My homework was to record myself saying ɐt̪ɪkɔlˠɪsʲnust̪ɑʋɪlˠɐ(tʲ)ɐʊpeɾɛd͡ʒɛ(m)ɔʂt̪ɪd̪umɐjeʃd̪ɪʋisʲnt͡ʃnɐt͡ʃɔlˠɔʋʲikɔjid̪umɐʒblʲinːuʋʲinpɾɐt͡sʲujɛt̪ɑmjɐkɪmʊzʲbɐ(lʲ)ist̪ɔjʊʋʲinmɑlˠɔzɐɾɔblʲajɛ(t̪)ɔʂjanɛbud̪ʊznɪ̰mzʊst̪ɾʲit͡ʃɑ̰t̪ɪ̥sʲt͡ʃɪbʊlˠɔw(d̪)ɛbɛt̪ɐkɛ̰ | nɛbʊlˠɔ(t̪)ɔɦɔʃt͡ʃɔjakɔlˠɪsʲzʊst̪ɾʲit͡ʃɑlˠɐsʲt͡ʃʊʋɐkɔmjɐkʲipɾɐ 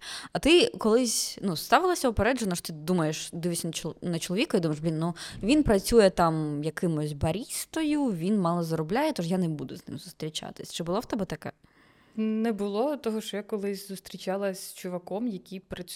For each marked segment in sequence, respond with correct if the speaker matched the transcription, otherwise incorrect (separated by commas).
incorrect, incorrect, incorrect, correct, incorrect, correct